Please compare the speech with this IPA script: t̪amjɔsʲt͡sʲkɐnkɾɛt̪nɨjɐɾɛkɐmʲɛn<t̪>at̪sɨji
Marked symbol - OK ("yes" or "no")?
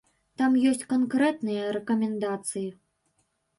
no